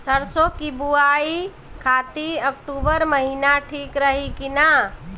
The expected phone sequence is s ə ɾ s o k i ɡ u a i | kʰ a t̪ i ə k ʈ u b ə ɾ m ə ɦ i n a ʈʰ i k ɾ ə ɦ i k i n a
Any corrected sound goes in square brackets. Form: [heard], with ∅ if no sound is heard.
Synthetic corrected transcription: s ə ɾ s o k i [b] u a i | kʰ a t̪ i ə k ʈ u b ə ɾ m ə ɦ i n a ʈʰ i k ɾ ə ɦ i k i n a